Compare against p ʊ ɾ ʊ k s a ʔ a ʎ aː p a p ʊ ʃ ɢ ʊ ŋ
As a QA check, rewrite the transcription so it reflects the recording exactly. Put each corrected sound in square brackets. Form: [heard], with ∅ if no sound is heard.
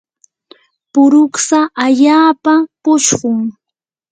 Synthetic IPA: p ʊ ɾ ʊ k s a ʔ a ʎ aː p a p ʊ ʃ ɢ ʊ ŋ

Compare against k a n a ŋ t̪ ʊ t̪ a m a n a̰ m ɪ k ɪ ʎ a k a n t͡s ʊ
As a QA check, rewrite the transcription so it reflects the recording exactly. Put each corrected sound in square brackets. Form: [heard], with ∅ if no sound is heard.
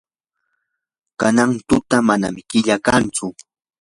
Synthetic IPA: k a n a ŋ t̪ ʊ t̪ a m a n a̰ m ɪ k ɪ ʎ a k a n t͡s ʊ

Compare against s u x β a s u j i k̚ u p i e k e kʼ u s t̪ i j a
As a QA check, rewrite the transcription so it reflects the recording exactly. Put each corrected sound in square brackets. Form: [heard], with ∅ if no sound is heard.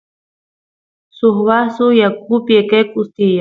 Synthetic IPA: s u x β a s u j [a] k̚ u p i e k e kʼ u s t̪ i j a

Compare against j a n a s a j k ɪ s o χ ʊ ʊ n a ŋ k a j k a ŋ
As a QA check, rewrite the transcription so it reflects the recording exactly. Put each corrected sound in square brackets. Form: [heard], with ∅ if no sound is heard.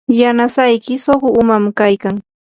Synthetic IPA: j a n a s a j k ɪ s o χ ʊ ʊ [m] a [m] k a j k a ŋ

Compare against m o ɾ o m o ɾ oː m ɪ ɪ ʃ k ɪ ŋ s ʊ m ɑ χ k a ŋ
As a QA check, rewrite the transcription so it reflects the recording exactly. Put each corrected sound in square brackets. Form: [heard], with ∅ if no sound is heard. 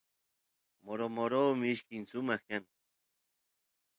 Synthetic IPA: m o ɾ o m o ɾ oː m ɪ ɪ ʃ k ɪ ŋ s ʊ m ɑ χ k a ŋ

